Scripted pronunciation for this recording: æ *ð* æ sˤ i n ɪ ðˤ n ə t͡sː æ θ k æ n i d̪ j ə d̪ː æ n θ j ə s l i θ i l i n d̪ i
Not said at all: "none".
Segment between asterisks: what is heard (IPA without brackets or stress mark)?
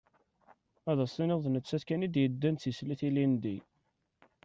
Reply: ð